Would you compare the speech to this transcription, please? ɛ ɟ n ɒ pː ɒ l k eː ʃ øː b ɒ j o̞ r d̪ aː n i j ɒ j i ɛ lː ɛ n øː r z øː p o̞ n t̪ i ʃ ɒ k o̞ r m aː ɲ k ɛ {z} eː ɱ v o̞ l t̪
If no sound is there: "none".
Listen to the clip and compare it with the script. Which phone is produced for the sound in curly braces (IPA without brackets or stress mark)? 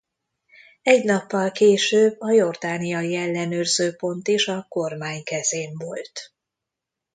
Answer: z